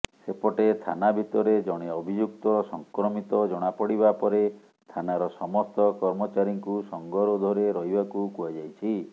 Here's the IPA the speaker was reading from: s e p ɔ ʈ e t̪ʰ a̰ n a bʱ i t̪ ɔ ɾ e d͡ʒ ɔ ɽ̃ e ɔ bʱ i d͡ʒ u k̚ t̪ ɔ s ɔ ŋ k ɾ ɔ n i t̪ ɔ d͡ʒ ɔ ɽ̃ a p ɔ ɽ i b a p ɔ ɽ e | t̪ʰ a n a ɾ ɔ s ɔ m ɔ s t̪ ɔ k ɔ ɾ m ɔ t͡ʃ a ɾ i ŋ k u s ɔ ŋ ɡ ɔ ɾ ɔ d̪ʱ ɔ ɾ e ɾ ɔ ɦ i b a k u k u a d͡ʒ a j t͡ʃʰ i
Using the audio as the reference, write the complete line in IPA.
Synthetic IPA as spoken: s e p ɔ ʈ e t̪ʰ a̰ n a bʱ i t̪ ɔ ɾ e d͡ʒ ɔ ɽ̃ e ɔ bʱ i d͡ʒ u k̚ t̪ ɔ s ɔ ŋ k ɾ ɔ m i t̪ ɔ d͡ʒ ɔ ɽ̃ a p ɔ ɽ i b a p ɔ ɾ e | t̪ʰ a n a ɾ ɔ s ɔ m ɔ s t̪ ɔ k ɔ ɾ m ɔ t͡ʃ a ɾ i ŋ k u s ɔ ŋ ɡ ɔ ɾ ɔ d̪ʱ ɔ ɾ e ɾ ɔ ɦ i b a k u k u a d͡ʒ a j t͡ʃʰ i